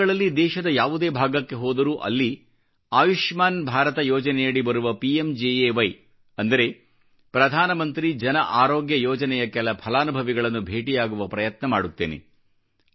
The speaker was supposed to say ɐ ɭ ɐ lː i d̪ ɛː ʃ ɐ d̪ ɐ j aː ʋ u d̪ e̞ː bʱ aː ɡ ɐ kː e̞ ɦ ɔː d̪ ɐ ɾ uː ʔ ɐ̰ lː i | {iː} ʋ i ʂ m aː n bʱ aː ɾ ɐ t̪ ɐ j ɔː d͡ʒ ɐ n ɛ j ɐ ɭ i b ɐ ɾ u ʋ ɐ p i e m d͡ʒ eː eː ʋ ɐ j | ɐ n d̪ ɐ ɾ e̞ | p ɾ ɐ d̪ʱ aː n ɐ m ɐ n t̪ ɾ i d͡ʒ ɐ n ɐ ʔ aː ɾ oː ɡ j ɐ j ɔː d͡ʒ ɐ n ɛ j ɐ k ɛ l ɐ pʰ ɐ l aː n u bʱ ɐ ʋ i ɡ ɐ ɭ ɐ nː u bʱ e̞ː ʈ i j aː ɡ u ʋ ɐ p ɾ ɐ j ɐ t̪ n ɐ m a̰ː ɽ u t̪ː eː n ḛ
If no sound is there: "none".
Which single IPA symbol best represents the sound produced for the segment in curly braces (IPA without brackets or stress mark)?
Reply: aː